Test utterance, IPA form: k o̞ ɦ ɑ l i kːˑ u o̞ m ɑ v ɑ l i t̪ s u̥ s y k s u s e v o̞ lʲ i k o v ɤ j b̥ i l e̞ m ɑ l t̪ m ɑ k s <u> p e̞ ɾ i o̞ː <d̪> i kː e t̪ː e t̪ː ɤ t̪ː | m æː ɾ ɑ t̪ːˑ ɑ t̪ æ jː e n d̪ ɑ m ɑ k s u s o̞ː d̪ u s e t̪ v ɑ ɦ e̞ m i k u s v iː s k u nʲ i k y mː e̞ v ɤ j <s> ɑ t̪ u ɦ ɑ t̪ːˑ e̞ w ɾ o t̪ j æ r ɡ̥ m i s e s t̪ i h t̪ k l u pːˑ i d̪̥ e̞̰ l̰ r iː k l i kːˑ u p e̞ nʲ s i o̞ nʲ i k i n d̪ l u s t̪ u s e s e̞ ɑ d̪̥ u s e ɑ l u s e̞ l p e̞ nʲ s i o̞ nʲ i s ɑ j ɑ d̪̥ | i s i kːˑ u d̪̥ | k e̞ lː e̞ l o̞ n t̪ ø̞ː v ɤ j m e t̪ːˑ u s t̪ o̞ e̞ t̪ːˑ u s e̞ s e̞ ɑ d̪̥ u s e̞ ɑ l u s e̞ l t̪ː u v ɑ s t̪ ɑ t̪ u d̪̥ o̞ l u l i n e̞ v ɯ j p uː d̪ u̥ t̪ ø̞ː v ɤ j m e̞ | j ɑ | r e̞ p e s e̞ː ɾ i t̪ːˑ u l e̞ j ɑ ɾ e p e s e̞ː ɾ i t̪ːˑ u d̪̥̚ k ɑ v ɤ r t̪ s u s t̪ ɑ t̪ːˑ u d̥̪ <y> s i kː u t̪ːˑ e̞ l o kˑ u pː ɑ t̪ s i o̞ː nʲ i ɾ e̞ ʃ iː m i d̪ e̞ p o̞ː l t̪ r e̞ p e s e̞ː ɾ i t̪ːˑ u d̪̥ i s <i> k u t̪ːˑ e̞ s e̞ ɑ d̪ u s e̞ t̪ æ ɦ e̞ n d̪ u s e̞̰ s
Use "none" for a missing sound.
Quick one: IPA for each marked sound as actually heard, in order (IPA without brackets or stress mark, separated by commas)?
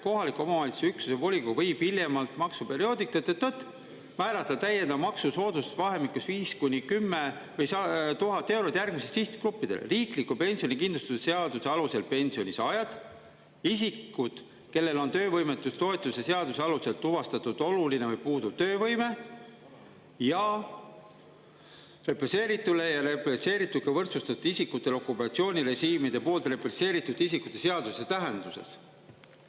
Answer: u, d̪, s, i, i